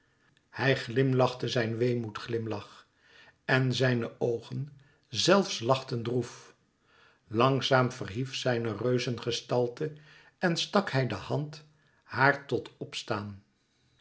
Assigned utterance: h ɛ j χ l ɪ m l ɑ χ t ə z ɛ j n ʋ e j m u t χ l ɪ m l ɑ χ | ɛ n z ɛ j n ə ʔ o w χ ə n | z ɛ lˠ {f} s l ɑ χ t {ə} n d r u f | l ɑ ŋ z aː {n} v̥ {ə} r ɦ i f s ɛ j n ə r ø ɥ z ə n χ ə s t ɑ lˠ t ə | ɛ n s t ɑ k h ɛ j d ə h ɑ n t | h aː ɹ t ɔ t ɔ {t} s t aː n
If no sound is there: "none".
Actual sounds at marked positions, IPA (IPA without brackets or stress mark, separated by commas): f, ə, m, ə, p